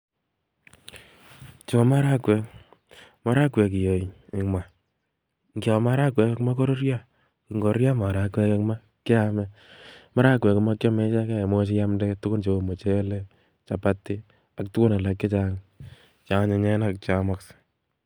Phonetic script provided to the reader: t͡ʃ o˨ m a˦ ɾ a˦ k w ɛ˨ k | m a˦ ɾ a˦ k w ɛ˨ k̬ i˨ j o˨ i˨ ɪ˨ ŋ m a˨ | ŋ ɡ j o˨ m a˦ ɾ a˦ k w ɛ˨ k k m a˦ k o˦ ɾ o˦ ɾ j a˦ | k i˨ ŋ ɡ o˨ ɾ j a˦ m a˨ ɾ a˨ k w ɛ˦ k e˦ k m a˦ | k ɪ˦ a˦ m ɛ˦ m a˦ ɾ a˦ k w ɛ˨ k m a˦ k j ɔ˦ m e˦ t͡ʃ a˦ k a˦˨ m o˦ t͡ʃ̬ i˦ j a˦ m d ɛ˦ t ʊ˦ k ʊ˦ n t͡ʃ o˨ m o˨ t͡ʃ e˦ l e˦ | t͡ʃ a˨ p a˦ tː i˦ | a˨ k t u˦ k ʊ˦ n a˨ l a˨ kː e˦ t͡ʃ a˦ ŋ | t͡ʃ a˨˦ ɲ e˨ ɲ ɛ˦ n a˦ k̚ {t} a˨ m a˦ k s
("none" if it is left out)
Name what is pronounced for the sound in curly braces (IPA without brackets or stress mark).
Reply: t͡ʃ